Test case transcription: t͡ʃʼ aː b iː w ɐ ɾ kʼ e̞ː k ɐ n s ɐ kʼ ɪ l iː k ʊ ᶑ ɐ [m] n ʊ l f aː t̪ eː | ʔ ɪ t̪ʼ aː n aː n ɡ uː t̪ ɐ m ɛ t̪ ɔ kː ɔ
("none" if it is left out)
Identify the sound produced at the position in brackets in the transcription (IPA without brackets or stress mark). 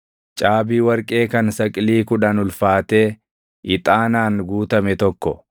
none